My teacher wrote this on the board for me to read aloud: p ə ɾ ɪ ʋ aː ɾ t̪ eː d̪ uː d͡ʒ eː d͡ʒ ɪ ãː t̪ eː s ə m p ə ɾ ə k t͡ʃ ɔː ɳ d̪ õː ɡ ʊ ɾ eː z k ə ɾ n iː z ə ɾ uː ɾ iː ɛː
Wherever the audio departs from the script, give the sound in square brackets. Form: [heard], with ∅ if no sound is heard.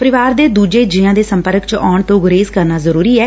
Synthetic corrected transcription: p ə ɾ ɪ ʋ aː ɾ [d̪] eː d̪ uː d͡ʒ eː d͡ʒ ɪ ãː [d̪] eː s ə m p ə ɾ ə k t͡ʃ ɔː ɳ [t̪] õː ɡ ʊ ɾ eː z k ə ɾ n [aː] z ə ɾ uː ɾ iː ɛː